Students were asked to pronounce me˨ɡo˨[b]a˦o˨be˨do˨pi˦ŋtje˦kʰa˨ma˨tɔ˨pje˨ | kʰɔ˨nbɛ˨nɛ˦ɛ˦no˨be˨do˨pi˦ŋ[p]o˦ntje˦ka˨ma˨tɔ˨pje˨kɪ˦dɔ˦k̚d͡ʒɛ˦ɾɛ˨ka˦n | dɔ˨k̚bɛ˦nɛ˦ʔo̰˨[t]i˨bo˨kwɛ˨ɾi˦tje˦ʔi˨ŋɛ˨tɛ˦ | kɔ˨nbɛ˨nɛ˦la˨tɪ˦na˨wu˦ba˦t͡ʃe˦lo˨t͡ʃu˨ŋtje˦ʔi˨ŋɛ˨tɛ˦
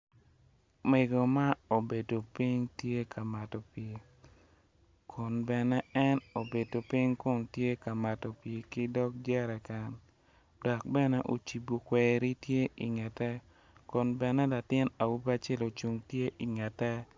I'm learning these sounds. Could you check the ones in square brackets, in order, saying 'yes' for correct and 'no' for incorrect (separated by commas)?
no, no, no